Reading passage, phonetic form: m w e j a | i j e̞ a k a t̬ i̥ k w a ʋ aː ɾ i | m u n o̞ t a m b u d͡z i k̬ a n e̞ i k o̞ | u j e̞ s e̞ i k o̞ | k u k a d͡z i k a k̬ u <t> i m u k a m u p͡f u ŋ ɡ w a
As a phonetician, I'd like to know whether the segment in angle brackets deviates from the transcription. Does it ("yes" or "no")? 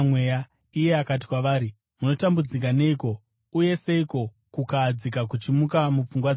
yes